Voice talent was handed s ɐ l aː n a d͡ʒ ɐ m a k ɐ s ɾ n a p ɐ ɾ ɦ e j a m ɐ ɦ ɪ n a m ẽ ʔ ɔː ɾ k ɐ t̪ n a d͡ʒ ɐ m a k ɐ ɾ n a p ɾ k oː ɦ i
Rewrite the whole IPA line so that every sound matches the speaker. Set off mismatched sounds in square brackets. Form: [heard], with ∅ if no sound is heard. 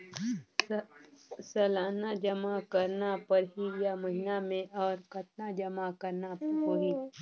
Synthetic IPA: s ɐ l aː n a d͡ʒ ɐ m a k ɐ [∅] ɾ n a p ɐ ɾ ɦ [i] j a m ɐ ɦ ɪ n a m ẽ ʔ ɔː ɾ k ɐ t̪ n a d͡ʒ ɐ m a k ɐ ɾ n a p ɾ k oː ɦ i